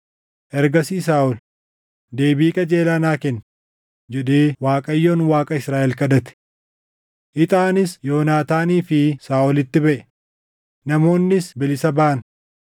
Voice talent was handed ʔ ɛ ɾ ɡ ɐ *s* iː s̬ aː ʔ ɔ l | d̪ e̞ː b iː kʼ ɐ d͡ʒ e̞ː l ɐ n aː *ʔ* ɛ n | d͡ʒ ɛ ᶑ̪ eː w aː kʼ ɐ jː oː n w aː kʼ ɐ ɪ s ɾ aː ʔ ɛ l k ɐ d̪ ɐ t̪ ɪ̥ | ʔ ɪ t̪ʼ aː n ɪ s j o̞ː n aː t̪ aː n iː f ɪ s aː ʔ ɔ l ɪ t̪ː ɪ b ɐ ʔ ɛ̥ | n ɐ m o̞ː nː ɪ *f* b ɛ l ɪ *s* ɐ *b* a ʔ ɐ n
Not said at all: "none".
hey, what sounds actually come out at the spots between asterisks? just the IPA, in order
s, k, s, s, b

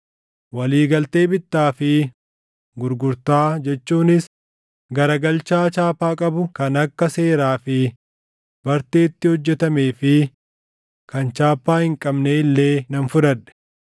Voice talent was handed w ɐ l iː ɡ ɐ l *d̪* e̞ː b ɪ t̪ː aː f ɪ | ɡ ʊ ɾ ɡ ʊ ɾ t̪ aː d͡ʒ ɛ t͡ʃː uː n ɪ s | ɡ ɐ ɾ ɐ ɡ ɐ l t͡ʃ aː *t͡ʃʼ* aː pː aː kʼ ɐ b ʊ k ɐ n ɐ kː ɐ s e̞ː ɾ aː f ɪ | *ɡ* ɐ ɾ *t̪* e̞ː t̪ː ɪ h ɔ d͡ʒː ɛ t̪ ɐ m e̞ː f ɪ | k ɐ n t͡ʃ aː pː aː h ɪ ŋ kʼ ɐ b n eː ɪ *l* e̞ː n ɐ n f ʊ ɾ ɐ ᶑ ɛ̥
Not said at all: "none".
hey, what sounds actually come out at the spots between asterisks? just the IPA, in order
t̪, t͡ʃ, b, t̪, lː

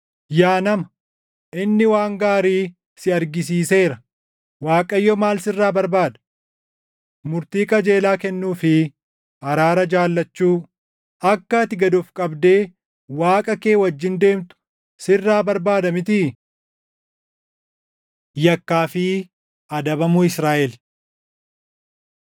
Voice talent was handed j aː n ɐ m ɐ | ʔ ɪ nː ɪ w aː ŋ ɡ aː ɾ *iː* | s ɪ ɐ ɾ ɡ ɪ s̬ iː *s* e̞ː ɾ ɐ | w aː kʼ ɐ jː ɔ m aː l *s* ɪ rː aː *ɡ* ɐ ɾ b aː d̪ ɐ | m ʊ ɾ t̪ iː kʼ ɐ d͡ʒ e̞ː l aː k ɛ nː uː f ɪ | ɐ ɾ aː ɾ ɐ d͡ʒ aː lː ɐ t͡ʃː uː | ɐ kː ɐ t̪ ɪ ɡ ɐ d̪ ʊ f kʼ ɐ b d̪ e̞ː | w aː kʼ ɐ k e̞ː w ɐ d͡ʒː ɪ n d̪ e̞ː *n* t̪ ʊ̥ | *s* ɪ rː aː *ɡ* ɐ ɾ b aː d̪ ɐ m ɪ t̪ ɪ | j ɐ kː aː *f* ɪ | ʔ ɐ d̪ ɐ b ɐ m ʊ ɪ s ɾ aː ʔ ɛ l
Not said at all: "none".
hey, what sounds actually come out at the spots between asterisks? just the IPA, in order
iː, s, s, b, m, s, b, f

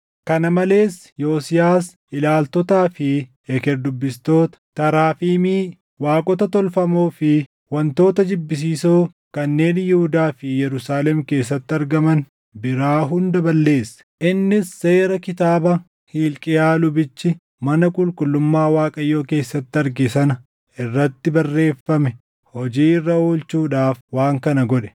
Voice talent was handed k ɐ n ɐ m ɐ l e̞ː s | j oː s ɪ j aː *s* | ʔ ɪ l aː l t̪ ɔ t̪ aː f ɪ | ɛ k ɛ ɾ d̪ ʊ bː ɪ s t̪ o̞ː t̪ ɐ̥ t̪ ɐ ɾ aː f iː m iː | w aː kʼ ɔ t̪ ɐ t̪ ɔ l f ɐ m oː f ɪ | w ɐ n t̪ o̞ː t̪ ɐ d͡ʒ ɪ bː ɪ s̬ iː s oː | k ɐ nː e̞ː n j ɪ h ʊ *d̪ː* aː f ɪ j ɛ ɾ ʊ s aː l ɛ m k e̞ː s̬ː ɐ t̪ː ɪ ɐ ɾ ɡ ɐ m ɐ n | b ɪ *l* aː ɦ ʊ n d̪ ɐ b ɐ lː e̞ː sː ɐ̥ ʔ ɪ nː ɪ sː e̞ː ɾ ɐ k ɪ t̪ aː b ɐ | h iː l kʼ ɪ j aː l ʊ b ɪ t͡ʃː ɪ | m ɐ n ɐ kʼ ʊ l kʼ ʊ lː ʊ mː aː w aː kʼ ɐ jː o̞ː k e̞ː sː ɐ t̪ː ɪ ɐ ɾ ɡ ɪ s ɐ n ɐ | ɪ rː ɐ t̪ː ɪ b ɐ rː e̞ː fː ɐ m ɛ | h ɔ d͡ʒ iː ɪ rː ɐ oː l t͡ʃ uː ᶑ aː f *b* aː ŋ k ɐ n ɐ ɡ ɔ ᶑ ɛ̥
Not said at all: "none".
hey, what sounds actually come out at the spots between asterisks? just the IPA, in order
s, d̪, ɾ, w

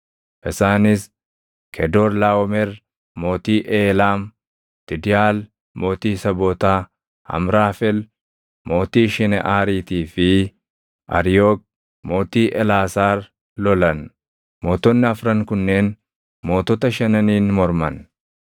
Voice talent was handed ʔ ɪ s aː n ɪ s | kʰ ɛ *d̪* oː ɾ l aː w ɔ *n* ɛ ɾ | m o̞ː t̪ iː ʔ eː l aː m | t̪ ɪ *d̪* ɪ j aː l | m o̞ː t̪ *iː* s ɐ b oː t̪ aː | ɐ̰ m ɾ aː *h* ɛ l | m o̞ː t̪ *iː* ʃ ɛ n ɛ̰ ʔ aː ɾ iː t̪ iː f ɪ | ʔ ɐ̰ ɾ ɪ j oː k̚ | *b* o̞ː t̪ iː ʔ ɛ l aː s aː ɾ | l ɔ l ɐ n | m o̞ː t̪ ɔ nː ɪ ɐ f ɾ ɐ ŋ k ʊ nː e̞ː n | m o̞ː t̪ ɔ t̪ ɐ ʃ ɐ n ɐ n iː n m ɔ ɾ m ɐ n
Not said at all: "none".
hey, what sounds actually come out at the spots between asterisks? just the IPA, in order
d̪, m, d̪, iː, f, iː, m

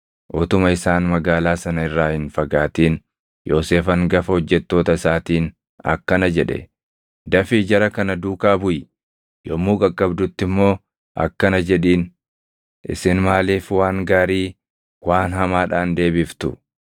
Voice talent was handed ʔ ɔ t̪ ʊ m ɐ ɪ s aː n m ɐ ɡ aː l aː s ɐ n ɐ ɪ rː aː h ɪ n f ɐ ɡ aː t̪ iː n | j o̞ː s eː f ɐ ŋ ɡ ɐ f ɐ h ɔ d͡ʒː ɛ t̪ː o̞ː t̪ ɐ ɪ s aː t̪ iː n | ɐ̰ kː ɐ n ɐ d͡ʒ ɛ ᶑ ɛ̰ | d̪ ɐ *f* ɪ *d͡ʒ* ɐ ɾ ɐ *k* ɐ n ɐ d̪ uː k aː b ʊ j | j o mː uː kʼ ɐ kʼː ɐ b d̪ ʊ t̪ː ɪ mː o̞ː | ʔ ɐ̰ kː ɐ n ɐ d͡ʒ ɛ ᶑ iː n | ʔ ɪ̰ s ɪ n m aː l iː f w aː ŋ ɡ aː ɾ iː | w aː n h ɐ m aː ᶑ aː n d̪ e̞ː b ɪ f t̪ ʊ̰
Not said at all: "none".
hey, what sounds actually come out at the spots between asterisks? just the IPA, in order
f, d͡ʒ, k

